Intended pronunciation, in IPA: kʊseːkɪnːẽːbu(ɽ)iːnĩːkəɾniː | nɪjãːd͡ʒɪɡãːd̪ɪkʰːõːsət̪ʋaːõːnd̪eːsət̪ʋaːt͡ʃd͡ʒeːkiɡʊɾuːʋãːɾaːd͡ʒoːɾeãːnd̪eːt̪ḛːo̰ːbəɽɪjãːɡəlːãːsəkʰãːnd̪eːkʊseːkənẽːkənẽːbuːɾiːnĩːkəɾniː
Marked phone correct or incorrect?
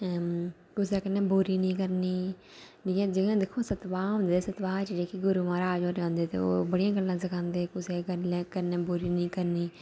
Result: incorrect